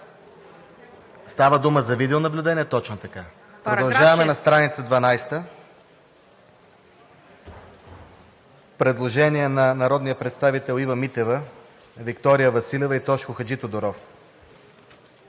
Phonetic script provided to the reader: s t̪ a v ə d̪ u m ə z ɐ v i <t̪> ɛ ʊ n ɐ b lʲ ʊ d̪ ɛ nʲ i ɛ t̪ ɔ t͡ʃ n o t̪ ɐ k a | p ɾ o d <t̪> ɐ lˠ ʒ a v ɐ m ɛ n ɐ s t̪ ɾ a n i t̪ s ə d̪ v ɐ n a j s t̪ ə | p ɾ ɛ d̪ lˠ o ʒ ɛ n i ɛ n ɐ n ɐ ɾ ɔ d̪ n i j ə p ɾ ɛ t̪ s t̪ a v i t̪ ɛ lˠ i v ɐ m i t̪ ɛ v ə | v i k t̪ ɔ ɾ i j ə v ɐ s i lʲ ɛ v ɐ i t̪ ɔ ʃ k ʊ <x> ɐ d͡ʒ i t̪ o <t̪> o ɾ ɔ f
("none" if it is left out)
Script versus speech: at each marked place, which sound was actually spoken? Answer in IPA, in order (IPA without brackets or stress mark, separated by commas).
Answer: d̪, d̪, x, d̪